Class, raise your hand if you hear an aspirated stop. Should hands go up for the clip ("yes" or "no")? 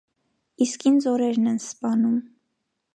no